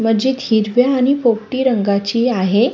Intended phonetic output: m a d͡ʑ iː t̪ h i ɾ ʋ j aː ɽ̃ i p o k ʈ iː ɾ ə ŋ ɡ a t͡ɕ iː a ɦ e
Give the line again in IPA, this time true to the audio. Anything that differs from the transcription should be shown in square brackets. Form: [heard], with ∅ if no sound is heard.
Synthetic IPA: m [ə] d͡ʑ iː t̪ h i ɾ ʋ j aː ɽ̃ i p o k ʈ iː ɾ ə ŋ ɡ a t͡ɕ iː a ɦ e